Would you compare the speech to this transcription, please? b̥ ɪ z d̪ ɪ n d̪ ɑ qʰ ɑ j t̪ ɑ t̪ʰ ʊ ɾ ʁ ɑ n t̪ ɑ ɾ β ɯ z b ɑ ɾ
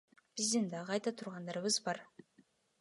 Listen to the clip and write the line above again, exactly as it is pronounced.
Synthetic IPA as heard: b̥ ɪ z d̪ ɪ n d̪ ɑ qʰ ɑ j t̪ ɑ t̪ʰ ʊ ɾ ʁ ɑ n d̪ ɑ ɾ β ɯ z b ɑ ɾ